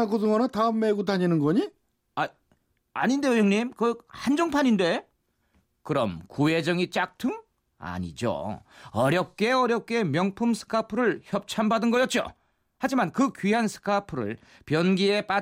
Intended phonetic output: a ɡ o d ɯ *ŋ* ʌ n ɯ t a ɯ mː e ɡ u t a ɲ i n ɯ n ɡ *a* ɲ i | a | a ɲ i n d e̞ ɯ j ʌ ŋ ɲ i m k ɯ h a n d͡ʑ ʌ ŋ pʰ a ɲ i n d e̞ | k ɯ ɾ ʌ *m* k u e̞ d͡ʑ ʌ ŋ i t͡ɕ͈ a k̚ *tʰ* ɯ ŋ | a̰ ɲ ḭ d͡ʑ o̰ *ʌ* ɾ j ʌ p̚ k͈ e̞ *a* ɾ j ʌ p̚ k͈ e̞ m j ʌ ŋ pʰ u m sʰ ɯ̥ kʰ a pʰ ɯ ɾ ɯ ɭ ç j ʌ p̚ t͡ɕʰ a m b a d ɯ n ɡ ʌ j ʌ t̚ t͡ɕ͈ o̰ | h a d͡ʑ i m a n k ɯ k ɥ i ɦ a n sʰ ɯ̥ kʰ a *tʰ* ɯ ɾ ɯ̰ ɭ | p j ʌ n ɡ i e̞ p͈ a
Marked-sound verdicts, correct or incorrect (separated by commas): correct, incorrect, correct, correct, correct, incorrect, incorrect